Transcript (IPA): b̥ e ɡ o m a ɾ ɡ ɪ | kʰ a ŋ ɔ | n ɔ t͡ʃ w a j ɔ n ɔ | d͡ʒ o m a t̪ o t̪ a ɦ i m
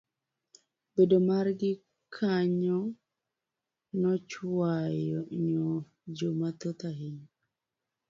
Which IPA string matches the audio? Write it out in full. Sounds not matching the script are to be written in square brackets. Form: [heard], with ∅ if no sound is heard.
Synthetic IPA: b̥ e [d] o m a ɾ ɡ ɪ | kʰ a [ɲ] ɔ | n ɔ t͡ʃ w a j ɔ [ɲ] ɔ | d͡ʒ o m a t̪ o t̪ a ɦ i [ɲ]